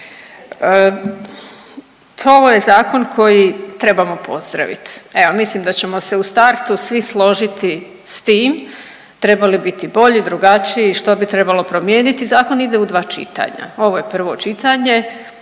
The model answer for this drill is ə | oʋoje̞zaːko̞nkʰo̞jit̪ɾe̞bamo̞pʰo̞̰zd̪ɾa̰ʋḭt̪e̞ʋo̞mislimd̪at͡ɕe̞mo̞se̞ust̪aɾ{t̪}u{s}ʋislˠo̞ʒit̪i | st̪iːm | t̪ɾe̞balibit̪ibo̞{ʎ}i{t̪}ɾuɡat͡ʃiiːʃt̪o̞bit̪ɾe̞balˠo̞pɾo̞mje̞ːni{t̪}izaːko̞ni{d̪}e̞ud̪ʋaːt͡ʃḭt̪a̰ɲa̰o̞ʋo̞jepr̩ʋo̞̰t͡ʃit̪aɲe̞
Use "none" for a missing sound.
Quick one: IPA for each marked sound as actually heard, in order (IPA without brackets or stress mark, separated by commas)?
t̪, s, ʎ, d̪, t̪, d̪